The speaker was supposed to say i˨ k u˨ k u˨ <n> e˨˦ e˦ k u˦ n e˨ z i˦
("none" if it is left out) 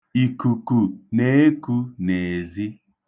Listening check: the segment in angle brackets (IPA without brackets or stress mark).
n